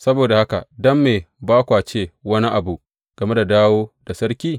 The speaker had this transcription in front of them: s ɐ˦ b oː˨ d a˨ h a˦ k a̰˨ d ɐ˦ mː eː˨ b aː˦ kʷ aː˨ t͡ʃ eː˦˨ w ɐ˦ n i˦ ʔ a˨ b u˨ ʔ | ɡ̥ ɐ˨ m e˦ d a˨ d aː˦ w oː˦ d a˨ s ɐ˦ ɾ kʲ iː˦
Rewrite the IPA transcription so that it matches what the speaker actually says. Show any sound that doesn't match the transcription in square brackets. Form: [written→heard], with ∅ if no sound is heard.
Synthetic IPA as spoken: s ɐ˦ b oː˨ d a˨ h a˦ k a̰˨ d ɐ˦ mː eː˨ b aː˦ kʷ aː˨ t͡ʃ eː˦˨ w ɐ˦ n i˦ ʔ a˨ b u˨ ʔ | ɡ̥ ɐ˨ m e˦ d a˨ d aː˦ w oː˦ d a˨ s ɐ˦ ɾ kʲ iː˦